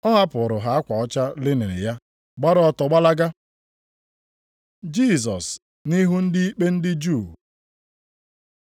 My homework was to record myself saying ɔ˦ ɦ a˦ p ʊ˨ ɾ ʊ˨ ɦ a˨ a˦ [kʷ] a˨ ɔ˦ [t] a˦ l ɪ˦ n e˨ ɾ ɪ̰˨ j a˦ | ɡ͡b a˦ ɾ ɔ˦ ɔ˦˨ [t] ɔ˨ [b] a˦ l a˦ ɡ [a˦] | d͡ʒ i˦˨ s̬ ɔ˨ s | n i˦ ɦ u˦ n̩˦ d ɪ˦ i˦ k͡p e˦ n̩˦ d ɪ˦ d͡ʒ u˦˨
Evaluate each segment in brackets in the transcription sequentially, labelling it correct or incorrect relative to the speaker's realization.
correct, incorrect, correct, incorrect, correct

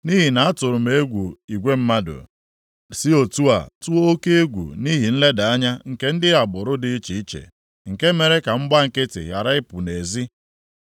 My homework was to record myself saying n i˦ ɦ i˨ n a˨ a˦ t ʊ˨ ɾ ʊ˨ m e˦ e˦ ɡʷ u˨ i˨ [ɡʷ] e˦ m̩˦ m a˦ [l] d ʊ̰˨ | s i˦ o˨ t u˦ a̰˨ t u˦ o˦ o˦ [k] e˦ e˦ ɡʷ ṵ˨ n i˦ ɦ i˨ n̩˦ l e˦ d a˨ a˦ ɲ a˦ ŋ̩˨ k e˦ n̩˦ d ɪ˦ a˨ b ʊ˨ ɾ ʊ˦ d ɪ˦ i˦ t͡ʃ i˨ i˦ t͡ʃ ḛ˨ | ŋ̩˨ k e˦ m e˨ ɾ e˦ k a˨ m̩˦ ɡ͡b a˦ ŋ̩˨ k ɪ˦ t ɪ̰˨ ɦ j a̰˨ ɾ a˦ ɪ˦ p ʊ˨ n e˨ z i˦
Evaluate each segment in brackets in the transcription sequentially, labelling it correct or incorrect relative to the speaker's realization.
correct, incorrect, correct

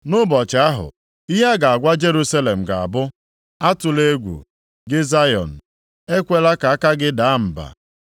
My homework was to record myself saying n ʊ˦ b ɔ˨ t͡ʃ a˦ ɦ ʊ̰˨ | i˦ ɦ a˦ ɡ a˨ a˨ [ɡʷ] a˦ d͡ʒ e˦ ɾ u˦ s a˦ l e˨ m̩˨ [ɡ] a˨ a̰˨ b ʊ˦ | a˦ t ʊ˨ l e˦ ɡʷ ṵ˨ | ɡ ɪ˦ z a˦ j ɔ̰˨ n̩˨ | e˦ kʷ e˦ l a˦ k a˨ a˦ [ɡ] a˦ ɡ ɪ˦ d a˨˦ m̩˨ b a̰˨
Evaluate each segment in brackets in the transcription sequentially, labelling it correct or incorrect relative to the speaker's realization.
correct, correct, incorrect

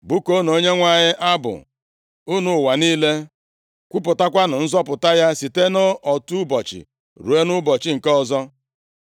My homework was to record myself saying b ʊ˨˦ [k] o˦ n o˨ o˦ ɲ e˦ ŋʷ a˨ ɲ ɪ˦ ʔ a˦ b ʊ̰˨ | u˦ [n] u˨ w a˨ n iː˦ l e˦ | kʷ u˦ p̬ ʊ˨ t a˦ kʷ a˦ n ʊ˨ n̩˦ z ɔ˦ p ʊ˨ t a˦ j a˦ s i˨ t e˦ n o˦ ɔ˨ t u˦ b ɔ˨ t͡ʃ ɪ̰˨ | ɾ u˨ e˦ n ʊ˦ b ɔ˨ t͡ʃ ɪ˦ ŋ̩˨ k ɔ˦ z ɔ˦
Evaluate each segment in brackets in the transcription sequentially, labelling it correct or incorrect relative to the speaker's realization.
correct, correct

